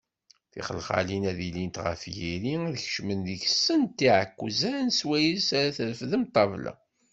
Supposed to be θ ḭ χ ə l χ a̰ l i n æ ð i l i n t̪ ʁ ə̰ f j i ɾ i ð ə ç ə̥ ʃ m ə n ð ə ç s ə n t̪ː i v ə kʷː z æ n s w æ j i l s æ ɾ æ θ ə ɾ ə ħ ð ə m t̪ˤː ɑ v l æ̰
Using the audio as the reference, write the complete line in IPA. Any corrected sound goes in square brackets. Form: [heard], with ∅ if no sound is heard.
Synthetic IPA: θ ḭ χ ə l χ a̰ l i n æ ð i l i n t̪ ʁ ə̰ f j i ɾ i ð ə ç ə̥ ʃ m ə n ð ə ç s ə n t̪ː i [ʕ] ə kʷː z æ n s w æ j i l s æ ɾ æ θ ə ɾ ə [f] ð ə m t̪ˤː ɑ v l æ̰